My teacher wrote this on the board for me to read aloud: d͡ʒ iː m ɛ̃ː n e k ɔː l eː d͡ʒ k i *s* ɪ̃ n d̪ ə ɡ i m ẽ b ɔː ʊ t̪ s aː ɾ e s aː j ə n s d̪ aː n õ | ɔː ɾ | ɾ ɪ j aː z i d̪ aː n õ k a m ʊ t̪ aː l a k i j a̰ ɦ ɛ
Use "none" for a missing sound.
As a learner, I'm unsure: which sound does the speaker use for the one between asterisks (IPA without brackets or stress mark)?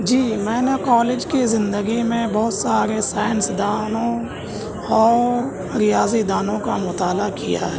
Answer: z